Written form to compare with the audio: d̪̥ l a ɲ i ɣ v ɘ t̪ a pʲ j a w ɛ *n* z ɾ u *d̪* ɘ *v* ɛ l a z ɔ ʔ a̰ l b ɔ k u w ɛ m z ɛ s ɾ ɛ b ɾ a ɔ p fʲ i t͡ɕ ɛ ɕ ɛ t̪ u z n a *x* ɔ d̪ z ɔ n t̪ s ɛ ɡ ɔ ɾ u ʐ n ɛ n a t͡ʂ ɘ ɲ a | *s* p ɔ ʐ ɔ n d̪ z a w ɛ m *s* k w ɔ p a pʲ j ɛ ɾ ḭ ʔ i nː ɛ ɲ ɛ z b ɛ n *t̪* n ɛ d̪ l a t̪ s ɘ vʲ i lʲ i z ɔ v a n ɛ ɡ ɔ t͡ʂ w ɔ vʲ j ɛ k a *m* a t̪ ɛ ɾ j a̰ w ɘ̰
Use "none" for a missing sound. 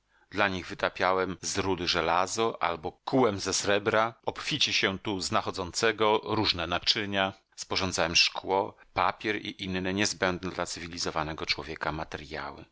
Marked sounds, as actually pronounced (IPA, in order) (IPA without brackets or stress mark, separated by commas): m, d̪, ʐ, x, s, ʂ, d̪, m